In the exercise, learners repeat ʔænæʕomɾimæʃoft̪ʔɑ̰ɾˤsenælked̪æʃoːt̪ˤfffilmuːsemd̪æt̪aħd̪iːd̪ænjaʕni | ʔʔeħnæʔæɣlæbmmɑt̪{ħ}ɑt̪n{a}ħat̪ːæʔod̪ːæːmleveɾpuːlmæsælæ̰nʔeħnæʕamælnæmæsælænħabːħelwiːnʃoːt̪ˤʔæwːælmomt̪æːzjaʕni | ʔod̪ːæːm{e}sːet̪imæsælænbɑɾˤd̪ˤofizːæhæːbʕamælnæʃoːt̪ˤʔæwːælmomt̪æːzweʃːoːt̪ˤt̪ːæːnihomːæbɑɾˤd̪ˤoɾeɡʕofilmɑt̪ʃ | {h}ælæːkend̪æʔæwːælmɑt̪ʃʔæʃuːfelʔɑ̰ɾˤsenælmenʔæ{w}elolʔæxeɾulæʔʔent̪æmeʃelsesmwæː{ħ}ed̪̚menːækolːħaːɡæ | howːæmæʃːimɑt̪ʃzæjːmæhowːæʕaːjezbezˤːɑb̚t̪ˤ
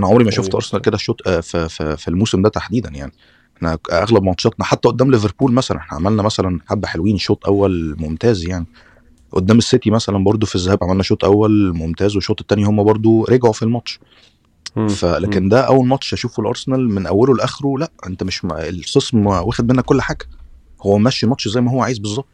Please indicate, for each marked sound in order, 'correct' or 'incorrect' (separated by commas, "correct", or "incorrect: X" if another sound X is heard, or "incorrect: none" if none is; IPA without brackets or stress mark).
incorrect: ʃ, incorrect: ɑ, correct, incorrect: f, incorrect: wː, incorrect: x